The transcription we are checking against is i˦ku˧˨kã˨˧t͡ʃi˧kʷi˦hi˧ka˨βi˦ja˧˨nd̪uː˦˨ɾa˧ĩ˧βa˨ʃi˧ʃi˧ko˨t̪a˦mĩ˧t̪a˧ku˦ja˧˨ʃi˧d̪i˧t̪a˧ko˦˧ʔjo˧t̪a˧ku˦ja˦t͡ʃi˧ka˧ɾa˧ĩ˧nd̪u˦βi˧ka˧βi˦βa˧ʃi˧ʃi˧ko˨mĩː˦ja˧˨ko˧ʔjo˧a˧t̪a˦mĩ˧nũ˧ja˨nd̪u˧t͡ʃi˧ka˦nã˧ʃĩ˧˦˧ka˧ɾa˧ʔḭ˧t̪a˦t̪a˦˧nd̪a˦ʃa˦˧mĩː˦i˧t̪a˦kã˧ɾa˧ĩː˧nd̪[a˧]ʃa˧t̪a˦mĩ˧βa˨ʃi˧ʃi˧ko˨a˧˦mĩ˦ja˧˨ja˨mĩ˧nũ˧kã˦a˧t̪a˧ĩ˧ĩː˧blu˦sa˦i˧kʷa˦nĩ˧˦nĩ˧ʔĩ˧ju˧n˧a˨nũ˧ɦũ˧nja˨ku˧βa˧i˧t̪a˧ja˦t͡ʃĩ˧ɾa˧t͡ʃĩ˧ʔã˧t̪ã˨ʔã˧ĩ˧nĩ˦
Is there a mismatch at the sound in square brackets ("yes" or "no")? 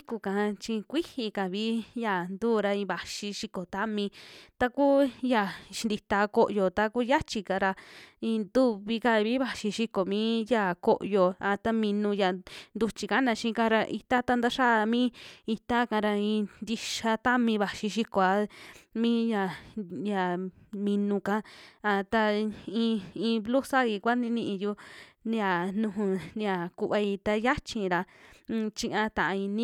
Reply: yes